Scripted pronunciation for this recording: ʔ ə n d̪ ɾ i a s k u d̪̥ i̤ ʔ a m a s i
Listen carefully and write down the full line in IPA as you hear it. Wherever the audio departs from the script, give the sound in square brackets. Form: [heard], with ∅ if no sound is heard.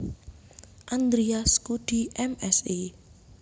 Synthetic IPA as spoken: ʔ [a] n d̪ ɾ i a s k u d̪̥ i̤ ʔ [ɛ] m [ɛ] s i